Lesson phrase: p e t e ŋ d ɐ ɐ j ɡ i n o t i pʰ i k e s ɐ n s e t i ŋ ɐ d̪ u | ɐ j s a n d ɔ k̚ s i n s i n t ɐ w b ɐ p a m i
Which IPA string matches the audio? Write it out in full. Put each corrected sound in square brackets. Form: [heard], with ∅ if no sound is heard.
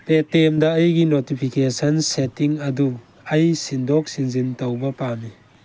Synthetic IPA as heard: p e t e [m] d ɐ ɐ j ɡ i n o t i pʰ i k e s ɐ n s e t i ŋ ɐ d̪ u | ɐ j s [i] n d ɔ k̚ s i n [z] i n t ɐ w b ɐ p a m i